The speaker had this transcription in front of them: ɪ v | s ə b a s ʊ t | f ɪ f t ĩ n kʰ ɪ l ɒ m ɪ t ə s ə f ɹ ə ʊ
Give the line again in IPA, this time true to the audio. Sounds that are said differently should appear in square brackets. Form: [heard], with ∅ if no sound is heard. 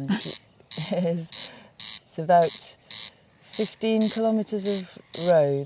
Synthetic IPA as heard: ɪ [z] | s ə b a [∅] ʊ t | f ɪ f t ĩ n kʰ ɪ l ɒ m ɪ t ə [z] ə [v] ɹ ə ʊ